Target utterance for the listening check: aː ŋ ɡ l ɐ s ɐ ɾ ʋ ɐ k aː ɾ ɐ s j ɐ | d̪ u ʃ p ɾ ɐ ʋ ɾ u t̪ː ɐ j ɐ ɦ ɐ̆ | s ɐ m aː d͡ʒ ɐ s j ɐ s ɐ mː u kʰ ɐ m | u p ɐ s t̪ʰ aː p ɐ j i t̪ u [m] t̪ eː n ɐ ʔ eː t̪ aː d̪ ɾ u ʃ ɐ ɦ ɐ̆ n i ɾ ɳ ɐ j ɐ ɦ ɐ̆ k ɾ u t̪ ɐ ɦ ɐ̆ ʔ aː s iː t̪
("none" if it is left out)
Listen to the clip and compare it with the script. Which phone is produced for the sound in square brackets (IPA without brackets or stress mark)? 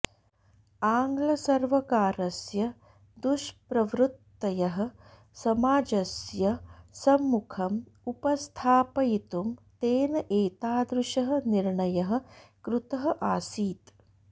m